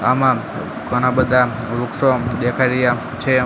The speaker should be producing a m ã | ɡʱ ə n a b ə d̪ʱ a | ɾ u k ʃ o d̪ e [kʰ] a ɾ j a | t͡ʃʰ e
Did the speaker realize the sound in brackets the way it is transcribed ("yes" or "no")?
yes